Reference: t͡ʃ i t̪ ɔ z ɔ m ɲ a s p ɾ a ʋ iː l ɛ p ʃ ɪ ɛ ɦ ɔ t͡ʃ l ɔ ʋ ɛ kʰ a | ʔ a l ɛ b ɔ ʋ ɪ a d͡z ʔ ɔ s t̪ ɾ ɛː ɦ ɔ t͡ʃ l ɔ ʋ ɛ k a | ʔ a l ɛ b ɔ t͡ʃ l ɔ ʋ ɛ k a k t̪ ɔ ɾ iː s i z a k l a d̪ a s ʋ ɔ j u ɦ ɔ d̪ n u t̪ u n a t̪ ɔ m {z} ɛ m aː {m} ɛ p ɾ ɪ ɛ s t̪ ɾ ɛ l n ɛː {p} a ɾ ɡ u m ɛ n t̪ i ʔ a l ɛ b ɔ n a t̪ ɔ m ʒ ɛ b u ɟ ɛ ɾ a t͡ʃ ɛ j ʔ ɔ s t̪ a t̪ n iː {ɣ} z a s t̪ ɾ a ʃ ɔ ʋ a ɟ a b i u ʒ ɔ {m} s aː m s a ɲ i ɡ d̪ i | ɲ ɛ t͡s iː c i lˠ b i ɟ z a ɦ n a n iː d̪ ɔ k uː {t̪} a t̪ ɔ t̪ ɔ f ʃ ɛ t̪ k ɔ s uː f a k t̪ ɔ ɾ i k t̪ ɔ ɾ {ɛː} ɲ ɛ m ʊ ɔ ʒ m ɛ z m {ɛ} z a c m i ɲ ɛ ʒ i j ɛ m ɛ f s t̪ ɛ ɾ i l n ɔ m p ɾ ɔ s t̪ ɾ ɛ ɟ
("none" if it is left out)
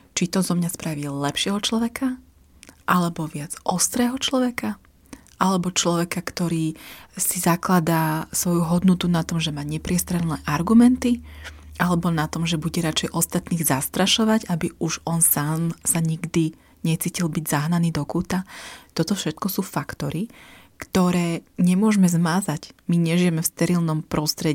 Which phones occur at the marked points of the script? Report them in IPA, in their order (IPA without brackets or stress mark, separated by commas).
ʒ, ɲ, ʔ, ɣ, n, t̪, ɛː, a